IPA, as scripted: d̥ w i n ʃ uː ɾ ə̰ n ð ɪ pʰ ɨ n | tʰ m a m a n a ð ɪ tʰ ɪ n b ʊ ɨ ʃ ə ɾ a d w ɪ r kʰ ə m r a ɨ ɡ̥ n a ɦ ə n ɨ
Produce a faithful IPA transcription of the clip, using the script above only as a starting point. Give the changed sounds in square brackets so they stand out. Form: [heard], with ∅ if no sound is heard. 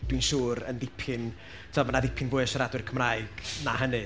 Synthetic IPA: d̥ w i n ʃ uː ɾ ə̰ n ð ɪ pʰ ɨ n | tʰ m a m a n a ð ɪ [pʰ] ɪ n [v] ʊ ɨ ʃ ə ɾ a d w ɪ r kʰ ə m r a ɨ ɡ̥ n a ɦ ə n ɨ